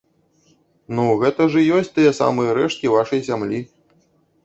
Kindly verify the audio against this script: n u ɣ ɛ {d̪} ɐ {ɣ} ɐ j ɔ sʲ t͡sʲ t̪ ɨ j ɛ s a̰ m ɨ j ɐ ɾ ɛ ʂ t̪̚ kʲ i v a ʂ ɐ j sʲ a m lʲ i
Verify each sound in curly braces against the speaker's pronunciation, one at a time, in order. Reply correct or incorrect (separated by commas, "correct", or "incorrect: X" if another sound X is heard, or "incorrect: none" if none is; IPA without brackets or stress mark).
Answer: incorrect: t̪, incorrect: ʐ